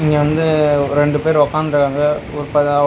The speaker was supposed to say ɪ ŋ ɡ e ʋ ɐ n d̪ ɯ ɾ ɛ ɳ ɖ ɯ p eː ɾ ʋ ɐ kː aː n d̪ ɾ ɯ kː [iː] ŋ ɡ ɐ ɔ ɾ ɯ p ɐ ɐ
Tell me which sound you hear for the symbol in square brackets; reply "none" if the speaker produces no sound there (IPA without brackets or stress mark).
aː